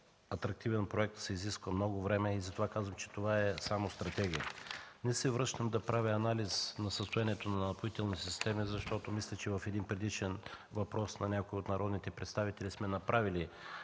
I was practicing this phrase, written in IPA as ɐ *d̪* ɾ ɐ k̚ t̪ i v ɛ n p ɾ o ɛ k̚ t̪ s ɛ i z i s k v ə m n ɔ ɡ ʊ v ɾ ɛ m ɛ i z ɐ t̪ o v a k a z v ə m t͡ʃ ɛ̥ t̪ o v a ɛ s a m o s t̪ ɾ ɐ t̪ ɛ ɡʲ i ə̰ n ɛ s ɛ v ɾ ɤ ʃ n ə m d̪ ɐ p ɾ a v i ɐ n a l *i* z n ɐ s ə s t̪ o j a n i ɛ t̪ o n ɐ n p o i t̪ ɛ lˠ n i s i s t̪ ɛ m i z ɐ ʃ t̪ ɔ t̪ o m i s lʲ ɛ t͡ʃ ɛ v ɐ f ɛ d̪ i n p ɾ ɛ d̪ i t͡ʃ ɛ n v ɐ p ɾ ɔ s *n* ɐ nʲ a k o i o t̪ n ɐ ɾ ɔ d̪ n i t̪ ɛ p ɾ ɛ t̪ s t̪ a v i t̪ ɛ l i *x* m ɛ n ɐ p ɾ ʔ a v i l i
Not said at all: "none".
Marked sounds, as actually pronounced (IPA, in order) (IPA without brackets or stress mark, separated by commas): t̪, i, n, s